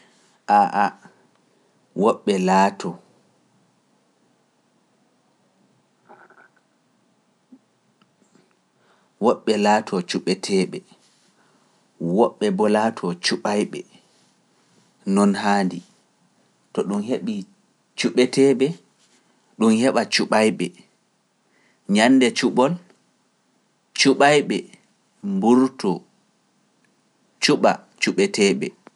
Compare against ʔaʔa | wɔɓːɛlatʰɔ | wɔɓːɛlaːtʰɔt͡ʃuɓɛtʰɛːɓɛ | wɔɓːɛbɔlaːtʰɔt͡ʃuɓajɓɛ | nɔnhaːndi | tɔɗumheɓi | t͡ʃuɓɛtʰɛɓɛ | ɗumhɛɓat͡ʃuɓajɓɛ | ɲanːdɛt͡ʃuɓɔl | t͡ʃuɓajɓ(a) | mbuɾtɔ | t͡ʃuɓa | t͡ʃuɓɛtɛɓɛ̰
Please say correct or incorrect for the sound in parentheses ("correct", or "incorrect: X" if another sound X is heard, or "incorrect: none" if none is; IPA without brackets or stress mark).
incorrect: ɛ